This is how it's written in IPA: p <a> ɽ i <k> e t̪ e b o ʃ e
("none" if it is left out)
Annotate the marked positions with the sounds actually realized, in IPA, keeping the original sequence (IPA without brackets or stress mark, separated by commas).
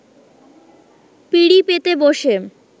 i, p